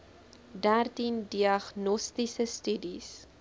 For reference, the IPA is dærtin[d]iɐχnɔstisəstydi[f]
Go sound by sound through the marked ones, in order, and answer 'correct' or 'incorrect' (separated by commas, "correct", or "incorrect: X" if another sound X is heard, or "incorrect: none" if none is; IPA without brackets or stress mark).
correct, incorrect: s